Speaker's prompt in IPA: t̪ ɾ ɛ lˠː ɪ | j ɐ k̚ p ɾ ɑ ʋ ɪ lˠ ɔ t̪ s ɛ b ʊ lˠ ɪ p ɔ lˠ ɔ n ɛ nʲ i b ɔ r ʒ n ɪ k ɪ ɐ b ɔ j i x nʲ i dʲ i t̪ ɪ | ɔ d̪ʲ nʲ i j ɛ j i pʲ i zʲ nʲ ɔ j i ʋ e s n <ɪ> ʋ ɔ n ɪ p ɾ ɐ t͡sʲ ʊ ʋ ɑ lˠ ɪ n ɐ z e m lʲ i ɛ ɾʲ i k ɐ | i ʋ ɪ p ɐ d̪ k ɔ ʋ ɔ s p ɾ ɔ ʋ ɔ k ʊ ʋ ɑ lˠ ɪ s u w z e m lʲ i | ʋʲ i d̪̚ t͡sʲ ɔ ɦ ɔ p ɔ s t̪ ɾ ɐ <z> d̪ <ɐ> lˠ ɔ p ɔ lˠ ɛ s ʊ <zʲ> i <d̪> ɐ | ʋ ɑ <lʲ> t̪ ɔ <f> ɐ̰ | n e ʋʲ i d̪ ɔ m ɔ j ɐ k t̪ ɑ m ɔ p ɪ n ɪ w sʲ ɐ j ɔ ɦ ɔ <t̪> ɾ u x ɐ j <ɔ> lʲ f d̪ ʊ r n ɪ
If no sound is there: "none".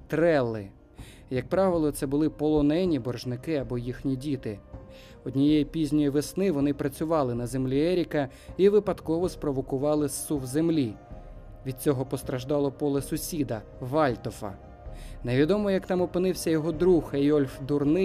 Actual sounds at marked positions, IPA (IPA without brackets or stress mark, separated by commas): ɪ, ʒ, ɑ, sʲ, d̪, lʲ, f, d̪, ɔ